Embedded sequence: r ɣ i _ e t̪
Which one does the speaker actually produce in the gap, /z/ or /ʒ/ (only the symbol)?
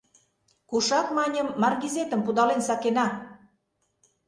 z